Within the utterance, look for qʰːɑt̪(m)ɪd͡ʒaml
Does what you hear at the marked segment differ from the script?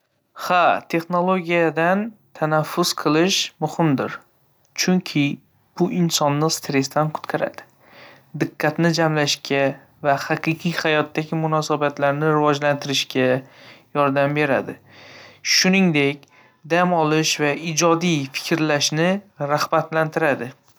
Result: yes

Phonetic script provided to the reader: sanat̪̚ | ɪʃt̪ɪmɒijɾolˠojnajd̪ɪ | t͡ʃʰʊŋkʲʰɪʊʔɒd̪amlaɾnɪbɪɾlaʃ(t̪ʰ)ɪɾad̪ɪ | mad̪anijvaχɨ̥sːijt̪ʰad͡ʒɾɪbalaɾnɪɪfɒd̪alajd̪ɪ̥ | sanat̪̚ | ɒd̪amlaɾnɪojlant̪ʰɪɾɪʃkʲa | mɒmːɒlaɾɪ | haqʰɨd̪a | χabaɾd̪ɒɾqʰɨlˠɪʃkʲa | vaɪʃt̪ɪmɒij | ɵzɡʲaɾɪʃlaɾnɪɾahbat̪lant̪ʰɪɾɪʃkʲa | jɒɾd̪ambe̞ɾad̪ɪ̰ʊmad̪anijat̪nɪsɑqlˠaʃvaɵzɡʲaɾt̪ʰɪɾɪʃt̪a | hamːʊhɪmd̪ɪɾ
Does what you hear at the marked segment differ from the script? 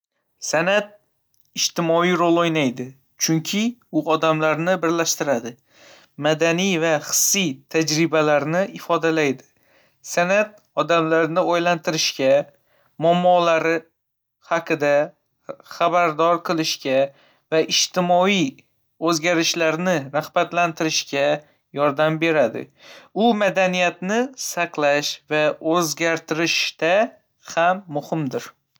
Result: yes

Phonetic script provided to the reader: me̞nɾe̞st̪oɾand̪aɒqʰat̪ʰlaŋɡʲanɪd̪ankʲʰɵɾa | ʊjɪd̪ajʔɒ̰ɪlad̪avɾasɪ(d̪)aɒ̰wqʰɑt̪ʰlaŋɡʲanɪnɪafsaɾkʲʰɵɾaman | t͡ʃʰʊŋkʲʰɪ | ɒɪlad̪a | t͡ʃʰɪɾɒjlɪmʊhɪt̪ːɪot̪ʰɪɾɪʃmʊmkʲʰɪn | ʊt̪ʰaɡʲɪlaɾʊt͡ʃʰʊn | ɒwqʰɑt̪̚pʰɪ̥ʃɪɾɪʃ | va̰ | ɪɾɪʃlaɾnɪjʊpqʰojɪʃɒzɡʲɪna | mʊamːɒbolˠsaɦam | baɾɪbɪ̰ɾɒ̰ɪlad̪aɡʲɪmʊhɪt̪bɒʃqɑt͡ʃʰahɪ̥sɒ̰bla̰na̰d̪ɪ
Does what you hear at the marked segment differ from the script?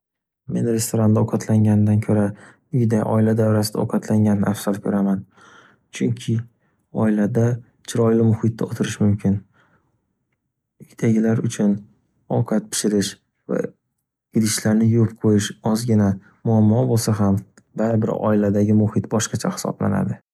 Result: no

